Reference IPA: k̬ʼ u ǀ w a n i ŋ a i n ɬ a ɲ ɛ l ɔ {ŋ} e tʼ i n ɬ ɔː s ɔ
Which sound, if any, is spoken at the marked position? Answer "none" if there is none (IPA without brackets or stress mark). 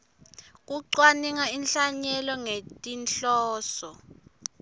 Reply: ŋ